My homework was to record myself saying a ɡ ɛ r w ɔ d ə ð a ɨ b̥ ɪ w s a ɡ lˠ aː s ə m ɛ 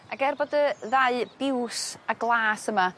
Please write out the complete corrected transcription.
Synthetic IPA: a ɡ ɛ r b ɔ d ə ð a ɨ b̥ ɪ w s a ɡ lˠ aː s ə m a